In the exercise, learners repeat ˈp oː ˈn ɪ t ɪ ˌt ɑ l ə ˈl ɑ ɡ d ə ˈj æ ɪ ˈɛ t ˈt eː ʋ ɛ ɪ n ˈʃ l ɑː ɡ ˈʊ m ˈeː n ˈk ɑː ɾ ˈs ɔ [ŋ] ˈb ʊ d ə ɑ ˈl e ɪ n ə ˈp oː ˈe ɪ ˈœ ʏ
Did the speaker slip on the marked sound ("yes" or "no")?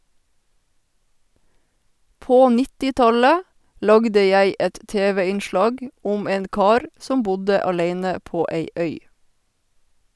yes